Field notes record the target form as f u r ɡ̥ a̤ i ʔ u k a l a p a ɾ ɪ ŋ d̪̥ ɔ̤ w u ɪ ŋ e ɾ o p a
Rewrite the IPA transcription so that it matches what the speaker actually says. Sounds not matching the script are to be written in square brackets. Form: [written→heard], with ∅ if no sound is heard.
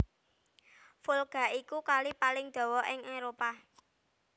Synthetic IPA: f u [r→l] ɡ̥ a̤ i [ʔ→k] u k a l [a→i] p a [ɾ→l] ɪ ŋ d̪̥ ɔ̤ w [u→ɔ] ɪ ŋ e ɾ o p a